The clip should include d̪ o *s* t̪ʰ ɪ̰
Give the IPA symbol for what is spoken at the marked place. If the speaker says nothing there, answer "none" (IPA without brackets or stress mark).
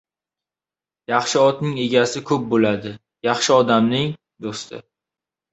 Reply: s